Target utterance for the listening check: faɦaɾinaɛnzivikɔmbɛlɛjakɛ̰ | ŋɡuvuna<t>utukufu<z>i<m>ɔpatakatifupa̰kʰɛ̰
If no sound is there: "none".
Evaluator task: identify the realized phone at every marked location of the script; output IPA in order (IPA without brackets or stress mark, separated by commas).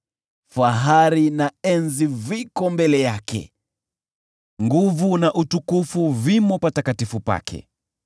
ʔ, v, m